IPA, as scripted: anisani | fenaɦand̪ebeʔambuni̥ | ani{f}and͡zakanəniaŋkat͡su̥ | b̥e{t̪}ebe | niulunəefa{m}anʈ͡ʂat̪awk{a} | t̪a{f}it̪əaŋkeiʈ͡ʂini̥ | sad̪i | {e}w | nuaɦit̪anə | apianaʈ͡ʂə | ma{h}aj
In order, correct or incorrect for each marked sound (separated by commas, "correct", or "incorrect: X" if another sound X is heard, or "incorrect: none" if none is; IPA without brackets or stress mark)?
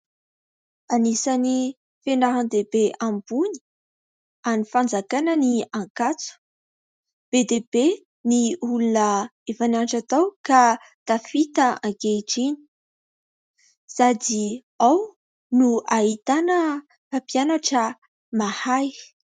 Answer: correct, incorrect: d̪, incorrect: n, correct, correct, incorrect: a, correct